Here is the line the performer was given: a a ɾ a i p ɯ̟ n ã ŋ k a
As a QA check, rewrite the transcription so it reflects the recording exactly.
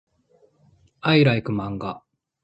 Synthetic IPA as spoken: a i ɾ a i k ɯ̟ m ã ŋ ɡ a